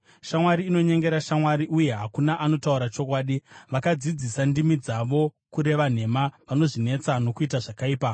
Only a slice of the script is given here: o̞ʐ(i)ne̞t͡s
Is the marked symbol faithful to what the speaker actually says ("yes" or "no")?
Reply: yes